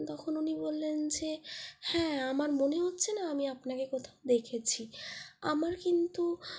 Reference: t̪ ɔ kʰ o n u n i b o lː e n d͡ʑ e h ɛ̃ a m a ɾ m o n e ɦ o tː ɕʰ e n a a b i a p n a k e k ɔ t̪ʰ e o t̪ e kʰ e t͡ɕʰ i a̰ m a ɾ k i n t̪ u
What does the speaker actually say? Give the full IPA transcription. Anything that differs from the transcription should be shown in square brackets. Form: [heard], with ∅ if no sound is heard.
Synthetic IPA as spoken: t̪ ɔ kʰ o n u n i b o lː e n d͡ʑ e h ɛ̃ a m a ɾ m o n e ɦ o tː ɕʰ e n a a [m] i a p n a k e k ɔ t̪ʰ [a] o [d̪] e kʰ e t͡ɕʰ i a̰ m a ɾ k i n t̪ u